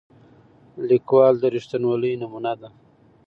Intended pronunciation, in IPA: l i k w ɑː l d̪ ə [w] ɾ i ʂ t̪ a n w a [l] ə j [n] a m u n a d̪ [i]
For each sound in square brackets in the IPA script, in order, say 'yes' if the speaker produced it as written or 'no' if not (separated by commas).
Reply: no, yes, yes, no